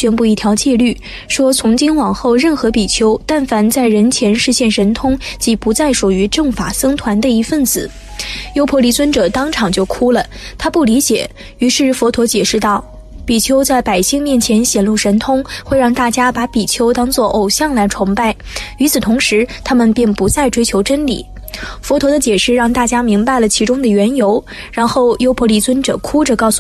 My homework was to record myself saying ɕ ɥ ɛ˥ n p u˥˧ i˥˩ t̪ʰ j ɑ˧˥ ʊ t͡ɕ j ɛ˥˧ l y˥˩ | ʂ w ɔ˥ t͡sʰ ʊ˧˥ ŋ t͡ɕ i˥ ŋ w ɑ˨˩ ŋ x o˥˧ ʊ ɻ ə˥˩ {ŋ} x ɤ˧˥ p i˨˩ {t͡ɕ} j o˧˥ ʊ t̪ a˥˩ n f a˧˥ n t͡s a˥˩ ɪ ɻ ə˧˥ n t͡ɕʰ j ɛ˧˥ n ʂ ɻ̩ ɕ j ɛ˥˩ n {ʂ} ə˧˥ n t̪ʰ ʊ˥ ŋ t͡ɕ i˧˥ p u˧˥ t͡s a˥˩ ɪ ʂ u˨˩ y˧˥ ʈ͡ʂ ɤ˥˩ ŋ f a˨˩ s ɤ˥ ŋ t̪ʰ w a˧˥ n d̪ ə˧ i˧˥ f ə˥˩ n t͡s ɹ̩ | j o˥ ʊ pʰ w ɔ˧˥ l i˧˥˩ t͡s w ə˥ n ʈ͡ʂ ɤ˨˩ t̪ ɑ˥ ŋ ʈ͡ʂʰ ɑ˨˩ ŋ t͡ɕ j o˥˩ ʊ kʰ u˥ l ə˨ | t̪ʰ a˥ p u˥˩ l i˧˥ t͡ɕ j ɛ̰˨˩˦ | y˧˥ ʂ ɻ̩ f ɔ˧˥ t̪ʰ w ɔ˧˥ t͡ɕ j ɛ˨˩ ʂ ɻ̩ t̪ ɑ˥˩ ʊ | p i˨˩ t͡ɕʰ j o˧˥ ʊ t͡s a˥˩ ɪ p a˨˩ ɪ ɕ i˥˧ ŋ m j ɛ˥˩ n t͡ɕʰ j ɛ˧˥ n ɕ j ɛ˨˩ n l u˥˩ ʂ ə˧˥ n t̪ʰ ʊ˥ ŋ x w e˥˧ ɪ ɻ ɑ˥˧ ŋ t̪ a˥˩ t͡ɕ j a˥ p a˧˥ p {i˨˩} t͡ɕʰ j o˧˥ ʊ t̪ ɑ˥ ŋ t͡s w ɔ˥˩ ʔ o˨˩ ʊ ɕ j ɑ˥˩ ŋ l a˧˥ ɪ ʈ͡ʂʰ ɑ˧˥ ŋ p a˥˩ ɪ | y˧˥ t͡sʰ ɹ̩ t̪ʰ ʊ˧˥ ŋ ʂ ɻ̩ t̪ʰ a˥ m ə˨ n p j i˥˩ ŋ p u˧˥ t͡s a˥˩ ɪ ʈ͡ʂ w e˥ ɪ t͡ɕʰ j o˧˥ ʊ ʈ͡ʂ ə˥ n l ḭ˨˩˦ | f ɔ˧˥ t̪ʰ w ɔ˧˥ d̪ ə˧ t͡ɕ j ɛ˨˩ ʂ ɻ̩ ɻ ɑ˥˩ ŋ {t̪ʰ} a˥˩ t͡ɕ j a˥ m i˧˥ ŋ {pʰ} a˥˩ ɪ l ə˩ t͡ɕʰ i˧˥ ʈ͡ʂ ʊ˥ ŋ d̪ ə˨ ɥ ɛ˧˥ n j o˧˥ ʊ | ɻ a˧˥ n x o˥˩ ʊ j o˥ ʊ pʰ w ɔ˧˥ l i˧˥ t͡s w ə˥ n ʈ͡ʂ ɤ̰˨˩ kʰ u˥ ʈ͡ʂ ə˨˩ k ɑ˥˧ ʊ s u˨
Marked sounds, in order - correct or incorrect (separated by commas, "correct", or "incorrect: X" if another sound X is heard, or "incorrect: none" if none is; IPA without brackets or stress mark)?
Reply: incorrect: n, incorrect: t͡ɕʰ, correct, correct, incorrect: t̪, incorrect: p